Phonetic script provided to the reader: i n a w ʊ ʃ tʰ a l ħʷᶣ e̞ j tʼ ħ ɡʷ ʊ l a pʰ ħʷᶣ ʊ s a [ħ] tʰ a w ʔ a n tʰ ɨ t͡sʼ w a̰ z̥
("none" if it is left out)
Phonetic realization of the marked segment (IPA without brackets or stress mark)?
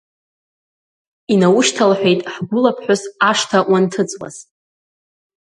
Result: ʂ